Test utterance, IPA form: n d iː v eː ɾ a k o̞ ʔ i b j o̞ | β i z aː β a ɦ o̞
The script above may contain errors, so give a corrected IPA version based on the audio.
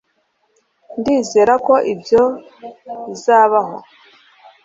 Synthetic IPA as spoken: n d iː z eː ɾ a k o̞ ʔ i b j o̞ | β i z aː β a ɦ o̞